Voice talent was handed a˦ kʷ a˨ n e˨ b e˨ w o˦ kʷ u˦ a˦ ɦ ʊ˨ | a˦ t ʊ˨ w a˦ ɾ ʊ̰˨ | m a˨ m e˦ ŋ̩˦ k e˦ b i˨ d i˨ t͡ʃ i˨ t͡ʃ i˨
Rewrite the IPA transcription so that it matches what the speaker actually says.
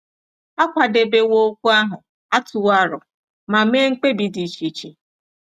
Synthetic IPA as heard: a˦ kʷ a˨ d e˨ b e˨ w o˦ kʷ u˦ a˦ ɦ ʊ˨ | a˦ t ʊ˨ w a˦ ɾ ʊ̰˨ | m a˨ m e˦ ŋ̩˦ k͡p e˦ b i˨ d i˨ t͡ʃ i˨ t͡ʃ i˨